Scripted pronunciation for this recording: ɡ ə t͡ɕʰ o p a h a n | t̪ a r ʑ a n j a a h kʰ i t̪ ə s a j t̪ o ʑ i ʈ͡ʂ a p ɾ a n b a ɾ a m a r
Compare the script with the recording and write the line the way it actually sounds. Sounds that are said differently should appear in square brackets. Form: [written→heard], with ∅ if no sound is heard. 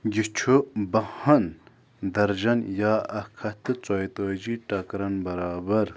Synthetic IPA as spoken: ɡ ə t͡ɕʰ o [p→b] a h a n | [t̪→d̪] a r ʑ a n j a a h kʰ [i→a] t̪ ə [s→t͡s] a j t̪ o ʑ i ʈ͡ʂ a [p→k] ɾ a n b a ɾ a [m→b] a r